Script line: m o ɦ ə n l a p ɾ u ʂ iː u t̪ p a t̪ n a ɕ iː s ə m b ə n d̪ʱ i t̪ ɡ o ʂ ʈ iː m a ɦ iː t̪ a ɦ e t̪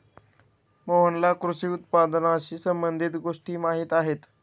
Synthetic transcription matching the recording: m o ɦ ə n l a k ɾ u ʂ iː u t̪ p a d̪ n a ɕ iː s ə m b ə n d̪ʱ i t̪ ɡ o ʂ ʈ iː m a ɦ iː t̪ a ɦ e t̪